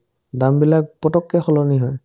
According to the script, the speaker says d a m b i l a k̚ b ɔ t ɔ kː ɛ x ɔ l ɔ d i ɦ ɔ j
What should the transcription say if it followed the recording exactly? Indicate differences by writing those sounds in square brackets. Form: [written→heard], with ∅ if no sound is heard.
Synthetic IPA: d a m b i l a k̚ [b→p] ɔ t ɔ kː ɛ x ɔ l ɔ [d→n] i ɦ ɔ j